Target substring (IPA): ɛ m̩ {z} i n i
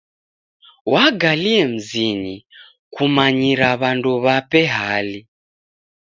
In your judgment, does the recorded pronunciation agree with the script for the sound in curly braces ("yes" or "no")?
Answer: yes